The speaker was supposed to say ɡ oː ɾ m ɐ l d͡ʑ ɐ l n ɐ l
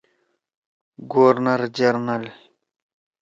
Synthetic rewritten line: ɡ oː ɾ n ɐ ɾ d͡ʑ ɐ ɾ n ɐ l

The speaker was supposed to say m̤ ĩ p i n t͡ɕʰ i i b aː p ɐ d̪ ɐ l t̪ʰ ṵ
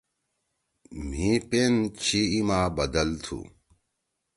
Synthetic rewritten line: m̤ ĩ p e n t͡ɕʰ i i m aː b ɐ d̪ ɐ l t̪ʰ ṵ

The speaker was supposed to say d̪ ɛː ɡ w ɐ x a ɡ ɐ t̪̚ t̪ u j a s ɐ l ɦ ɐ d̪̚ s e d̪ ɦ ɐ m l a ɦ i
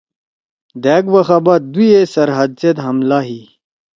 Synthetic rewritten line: d̪ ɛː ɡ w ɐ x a b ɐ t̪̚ d̪ u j e s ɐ ɾ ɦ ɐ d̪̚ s e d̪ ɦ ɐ m l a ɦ i

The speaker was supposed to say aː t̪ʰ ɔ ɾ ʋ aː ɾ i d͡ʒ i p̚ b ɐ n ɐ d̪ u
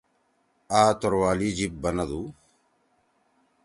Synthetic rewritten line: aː t̪ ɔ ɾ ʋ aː l i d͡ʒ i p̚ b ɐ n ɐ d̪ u

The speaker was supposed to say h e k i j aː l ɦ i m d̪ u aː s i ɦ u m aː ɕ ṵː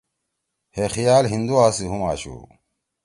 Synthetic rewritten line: h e x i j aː l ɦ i n d̪ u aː s i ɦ u m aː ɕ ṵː

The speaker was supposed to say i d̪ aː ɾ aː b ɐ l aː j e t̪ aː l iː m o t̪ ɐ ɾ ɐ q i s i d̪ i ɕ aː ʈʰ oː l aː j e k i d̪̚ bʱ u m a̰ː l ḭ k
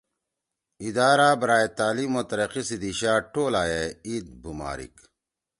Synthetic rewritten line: i d̪ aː ɾ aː b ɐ ɾ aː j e t̪ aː l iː m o t̪ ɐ ɾ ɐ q i s i d̪ i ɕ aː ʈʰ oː l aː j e i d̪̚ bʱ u m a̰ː ɾ ḭ k

